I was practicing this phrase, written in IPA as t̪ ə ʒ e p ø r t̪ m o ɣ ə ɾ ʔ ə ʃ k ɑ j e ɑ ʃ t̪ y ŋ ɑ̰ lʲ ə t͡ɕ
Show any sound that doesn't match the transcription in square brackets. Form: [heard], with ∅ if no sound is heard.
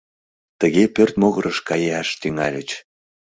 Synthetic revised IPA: t̪ ə [ɣ] e p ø r t̪ m o ɣ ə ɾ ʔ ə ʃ k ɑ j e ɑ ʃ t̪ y ŋ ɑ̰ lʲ ə t͡ɕ